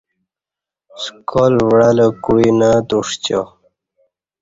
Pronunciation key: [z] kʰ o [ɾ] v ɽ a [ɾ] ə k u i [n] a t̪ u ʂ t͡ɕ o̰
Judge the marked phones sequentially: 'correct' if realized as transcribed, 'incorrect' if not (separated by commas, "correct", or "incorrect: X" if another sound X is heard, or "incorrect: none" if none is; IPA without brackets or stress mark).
incorrect: s, incorrect: l, incorrect: l, correct